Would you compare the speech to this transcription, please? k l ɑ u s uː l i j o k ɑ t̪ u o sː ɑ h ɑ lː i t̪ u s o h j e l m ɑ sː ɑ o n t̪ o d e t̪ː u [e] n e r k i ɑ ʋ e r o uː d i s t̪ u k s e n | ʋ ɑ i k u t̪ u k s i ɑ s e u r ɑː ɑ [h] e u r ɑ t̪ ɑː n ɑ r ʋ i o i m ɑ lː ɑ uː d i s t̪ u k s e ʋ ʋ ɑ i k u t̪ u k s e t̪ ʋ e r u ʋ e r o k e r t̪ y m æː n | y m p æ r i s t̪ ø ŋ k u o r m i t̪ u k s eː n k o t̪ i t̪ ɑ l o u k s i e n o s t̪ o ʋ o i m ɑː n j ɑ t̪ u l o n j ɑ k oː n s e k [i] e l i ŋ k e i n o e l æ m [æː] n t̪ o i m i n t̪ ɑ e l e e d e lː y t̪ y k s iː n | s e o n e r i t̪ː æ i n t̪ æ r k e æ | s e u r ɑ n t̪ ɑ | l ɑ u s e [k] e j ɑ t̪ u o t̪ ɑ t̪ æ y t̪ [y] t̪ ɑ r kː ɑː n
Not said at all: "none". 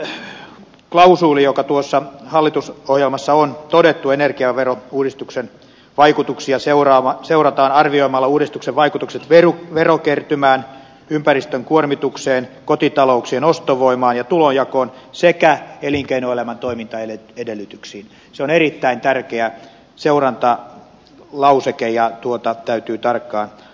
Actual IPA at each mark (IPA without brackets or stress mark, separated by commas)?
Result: e, s, æ, æ, k, yː